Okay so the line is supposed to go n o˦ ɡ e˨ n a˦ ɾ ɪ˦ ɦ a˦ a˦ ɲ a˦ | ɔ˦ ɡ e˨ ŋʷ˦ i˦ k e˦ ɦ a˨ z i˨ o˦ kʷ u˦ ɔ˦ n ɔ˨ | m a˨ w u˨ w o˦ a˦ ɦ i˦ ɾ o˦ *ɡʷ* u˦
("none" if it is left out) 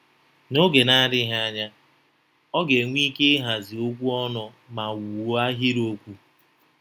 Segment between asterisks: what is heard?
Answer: kʷ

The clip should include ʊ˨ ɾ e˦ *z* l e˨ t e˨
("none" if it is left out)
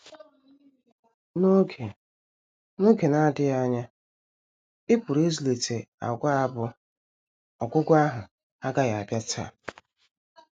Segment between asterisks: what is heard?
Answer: z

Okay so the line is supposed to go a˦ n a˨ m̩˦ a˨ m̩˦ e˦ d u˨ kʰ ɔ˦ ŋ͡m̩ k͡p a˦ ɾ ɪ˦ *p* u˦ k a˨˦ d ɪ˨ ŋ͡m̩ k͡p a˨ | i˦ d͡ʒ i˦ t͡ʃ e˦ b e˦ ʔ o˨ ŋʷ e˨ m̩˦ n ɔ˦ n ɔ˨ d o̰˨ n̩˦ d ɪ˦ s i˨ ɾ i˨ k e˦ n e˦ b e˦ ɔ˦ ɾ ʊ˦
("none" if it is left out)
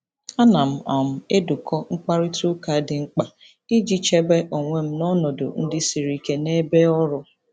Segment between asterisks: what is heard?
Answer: t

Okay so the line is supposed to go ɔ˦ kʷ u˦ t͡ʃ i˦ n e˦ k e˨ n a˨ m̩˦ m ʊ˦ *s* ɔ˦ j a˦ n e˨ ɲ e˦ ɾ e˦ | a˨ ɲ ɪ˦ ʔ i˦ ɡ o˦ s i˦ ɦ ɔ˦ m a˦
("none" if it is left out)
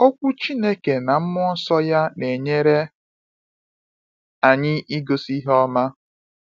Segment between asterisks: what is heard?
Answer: s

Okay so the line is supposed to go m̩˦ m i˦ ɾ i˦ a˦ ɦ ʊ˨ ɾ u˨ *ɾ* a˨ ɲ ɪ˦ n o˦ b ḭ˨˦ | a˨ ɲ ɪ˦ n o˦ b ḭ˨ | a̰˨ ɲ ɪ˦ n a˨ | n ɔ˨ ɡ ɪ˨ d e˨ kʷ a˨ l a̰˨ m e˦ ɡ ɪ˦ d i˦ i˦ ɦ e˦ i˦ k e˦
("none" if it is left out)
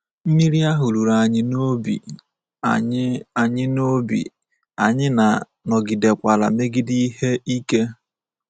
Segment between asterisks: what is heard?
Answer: ɾ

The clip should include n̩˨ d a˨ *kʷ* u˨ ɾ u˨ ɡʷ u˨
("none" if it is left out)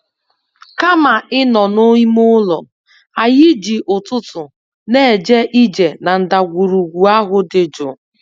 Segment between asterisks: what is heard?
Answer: ɡʷ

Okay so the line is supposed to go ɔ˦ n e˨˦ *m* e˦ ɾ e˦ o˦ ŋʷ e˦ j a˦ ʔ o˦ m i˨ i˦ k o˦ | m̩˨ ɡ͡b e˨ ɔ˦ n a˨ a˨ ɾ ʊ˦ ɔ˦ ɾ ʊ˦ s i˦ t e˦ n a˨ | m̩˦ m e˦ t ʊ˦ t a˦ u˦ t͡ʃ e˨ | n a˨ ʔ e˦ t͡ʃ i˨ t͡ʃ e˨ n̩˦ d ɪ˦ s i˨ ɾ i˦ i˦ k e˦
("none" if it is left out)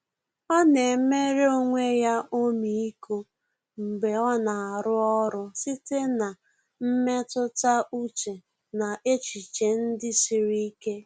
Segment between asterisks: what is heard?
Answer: m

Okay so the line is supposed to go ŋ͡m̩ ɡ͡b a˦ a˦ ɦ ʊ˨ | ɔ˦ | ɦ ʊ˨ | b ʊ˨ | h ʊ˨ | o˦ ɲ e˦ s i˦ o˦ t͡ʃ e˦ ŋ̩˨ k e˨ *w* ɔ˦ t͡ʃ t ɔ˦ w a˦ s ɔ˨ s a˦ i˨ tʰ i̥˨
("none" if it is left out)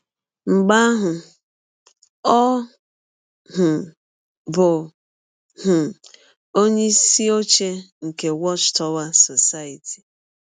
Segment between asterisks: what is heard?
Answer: w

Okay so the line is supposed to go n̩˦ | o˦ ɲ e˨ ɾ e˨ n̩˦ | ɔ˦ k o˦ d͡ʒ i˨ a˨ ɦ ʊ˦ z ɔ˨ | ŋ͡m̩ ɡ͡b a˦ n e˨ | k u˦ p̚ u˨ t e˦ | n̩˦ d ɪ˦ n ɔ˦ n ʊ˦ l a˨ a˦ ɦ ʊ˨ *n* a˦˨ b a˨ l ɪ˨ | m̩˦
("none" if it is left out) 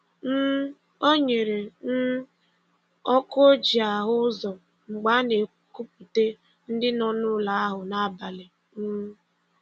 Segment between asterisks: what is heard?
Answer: n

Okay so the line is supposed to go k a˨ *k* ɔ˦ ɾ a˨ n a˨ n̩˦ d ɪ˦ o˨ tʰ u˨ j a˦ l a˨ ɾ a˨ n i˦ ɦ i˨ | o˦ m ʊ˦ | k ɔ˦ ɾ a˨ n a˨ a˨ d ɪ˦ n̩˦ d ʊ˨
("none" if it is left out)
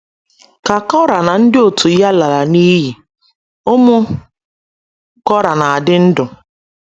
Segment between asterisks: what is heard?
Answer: k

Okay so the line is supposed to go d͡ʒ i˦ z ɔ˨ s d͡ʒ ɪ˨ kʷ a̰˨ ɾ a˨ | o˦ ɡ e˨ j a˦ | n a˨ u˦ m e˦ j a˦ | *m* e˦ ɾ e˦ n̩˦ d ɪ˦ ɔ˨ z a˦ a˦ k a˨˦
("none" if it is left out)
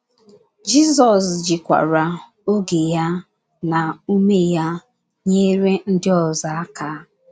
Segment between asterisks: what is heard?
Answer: ɲ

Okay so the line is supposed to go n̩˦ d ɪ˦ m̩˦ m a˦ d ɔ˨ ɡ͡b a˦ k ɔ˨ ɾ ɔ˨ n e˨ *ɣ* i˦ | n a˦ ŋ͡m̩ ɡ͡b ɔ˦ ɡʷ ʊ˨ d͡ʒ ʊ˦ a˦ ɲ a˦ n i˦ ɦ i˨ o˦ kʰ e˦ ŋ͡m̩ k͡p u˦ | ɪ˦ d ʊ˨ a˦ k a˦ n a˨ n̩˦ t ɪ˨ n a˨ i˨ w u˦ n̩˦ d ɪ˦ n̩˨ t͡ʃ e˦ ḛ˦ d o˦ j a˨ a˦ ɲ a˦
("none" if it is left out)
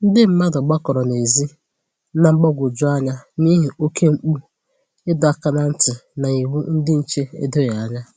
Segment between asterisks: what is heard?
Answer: z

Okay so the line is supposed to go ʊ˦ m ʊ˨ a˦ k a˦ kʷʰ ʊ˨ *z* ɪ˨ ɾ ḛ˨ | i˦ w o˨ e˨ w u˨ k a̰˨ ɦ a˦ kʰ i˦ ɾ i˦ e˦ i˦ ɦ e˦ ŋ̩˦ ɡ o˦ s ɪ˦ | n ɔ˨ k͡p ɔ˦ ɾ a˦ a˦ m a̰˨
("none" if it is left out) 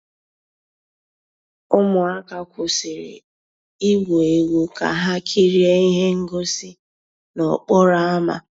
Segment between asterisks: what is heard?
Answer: s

